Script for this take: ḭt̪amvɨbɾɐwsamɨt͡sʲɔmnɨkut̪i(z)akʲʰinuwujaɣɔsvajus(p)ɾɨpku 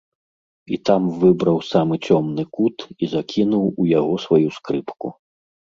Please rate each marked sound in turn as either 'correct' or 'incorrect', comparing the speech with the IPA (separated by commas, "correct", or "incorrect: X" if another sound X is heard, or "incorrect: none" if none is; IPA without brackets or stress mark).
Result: correct, incorrect: k